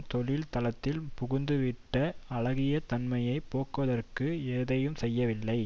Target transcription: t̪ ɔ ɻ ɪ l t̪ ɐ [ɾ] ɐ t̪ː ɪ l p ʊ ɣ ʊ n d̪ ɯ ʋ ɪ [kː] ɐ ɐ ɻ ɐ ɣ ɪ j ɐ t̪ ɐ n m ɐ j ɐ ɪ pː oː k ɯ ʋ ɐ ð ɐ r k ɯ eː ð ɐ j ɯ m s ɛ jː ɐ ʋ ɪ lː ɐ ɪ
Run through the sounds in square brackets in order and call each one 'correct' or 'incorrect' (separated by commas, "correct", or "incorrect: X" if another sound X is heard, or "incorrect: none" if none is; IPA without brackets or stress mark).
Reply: incorrect: l, incorrect: ʈː